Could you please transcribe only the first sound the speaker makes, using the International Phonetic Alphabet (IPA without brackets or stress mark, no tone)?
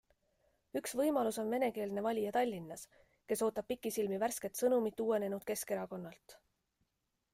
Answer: y